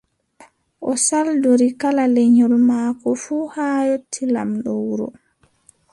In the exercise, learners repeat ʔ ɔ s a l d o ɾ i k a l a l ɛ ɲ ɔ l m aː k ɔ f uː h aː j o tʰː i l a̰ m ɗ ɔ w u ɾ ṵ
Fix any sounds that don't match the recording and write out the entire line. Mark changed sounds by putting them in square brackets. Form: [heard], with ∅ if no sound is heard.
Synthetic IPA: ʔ ɔ s a l d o ɾ i k a l a l ɛ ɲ ɔ l m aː k ɔ f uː h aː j o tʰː i l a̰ m ɗ ɔ w u ɾ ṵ